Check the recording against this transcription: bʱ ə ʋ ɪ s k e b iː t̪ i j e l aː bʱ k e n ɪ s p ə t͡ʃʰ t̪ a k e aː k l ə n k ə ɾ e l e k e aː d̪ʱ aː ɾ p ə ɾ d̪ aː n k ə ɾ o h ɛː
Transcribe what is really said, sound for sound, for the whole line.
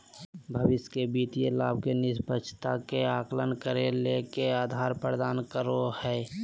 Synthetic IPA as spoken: bʱ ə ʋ ɪ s k e b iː t̪ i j e l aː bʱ k e n ɪ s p ə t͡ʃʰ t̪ a k e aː k l ə n k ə ɾ e l e k e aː d̪ʱ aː ɾ p ə ɾ d̪ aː n k ə ɾ o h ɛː